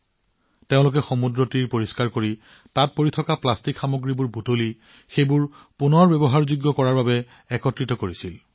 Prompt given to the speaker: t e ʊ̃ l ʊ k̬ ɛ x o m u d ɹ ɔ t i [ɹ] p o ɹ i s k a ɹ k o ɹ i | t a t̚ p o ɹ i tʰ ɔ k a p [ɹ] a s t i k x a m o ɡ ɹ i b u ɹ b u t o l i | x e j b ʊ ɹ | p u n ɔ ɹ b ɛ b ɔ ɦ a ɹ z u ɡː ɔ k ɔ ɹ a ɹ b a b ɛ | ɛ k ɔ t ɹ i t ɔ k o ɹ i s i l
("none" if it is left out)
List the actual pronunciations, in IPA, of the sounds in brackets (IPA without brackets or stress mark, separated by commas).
ɹ, l